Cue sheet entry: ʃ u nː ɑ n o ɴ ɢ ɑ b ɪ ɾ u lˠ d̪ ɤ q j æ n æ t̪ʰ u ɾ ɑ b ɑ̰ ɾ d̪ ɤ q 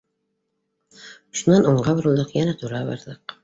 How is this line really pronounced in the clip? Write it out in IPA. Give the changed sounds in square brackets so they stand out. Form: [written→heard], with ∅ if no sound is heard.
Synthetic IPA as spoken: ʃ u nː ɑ n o ɴ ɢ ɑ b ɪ ɾ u lˠ d̪ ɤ q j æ n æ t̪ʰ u ɾ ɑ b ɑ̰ ɾ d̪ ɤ q